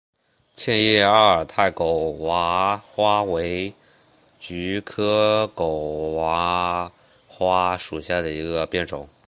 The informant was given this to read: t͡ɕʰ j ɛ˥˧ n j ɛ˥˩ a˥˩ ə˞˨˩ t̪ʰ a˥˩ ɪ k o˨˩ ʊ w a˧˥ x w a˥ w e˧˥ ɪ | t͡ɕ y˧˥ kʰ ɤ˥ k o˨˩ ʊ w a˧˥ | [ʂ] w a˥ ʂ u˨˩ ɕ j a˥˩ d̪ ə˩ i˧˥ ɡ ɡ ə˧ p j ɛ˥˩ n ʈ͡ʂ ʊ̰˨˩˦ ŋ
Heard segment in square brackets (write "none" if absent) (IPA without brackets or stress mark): x